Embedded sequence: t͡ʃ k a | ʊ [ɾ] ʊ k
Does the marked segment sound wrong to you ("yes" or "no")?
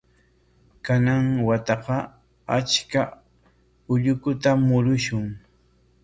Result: yes